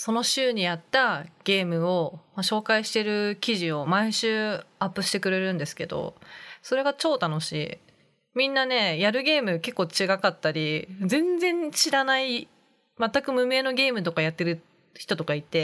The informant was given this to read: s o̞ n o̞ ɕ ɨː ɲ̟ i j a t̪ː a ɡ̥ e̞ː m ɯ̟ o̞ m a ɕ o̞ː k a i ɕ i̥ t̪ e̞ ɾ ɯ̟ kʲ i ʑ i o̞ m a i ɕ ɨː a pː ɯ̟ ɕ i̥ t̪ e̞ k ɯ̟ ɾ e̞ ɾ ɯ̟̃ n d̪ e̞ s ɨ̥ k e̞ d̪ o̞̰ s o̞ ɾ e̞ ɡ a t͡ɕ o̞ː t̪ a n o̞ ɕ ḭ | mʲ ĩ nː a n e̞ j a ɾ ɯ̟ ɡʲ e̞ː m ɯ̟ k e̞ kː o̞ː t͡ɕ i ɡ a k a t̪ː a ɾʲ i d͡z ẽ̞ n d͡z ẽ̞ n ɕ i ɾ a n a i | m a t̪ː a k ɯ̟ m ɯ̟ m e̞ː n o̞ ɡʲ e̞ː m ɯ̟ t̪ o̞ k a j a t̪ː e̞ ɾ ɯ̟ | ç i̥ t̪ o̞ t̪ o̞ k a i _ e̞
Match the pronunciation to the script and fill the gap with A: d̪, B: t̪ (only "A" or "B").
B